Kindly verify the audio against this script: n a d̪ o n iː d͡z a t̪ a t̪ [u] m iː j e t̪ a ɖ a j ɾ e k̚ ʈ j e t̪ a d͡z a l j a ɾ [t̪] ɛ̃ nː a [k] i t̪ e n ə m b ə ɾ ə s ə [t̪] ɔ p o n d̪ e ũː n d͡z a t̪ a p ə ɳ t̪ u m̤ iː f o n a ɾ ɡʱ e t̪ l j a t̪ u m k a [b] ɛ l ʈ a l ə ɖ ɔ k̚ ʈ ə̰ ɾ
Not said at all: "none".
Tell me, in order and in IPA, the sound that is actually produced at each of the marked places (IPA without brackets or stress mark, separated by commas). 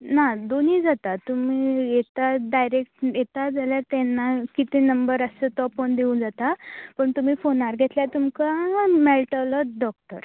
u, t̪, k, t̪, m